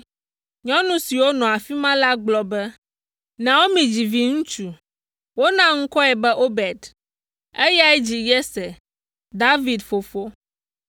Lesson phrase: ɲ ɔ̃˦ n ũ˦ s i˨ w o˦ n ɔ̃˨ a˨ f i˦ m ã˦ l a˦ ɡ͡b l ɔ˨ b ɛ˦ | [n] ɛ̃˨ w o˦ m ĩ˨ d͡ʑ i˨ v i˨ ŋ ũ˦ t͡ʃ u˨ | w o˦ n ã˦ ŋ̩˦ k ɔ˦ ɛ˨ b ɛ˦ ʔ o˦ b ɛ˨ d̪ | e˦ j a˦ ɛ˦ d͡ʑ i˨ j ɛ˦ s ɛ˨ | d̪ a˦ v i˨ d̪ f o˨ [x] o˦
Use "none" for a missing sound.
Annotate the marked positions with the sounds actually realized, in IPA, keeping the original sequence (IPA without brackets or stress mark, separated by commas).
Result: n, f